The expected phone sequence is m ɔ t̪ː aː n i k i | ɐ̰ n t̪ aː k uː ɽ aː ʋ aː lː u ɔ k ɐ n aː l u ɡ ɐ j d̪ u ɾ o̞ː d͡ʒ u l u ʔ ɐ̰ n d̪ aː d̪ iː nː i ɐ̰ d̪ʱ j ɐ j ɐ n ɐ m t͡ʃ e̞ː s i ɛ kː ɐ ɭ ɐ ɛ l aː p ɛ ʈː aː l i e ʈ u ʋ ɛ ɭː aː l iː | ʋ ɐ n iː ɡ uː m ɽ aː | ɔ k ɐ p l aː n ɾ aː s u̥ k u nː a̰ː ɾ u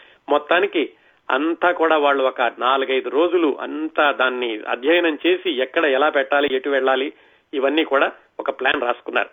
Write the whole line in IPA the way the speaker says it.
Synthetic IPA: m ɔ t̪ː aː n i k i | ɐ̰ n t̪ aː k uː ɽ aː ʋ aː ɭː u ɔ k ɐ n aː l u ɡ ɐ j d̪ u ɾ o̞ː d͡ʒ u l u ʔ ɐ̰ n t̪ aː d̪ aː nː i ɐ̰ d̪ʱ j ɐ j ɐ n ɐ m t͡ʃ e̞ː s i ɛ kː ɐ ɽ ɐ ɛ l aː p ɛ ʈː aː l i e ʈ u ʋ ɛ ɭː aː l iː | ʋ ɐ nː iː k uː ɽ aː | ɔ k ɐ p l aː n ɾ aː s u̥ k u nː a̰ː ɾ u